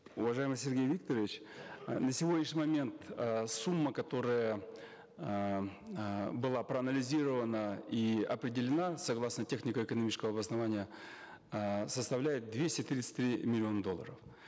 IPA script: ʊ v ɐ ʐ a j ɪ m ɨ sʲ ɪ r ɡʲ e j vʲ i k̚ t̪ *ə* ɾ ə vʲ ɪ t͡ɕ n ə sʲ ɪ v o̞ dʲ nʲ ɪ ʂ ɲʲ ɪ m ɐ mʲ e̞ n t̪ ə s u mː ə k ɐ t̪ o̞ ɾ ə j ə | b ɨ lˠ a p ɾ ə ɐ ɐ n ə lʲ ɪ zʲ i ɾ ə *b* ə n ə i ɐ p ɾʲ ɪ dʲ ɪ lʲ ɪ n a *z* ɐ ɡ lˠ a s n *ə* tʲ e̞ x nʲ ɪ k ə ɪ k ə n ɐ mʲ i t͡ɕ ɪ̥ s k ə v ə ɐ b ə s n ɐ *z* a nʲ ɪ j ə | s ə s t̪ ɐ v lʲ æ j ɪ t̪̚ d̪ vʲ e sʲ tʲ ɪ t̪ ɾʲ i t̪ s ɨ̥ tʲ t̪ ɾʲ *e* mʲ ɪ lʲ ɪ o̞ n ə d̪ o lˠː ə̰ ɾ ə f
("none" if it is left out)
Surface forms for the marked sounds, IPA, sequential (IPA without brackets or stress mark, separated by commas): ə, v, s, ə, v, i